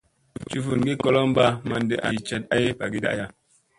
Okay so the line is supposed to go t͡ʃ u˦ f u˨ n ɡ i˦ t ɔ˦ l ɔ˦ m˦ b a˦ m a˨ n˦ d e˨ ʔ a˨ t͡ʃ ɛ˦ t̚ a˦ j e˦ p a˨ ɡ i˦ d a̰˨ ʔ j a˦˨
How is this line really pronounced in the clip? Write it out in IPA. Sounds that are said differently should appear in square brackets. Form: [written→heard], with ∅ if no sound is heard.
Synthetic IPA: t͡ʃ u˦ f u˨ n ɡ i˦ [t→k] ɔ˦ l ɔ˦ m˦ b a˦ m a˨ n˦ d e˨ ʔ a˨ t͡ʃ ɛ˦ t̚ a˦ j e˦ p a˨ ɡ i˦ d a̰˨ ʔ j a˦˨